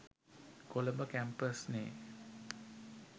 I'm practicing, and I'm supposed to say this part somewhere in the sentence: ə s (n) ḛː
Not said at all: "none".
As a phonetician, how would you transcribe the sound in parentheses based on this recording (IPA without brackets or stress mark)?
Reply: n